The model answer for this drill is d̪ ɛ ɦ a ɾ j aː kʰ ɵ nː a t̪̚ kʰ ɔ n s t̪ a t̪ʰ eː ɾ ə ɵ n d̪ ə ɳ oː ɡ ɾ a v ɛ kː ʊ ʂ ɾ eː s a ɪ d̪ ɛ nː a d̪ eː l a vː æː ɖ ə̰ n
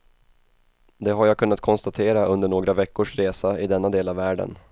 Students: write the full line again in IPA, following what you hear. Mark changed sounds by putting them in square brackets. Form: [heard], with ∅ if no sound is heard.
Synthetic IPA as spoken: d̪ ɛ ɦ a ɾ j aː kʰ ɵ nː a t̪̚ kʰ ɔ n s t̪ a t̪ʰ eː ɾ [a] ɵ n d̪ ə ɳ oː ɡ ɾ a v ɛ kː ʊ ʂ ɾ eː s a ɪ d̪ ɛ nː a d̪ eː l a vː æː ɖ ə̰ n